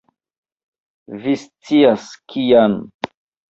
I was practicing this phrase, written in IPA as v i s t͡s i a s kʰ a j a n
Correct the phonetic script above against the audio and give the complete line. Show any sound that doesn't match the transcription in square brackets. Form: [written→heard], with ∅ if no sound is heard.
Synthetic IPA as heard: v i s t͡s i a s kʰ [a→i] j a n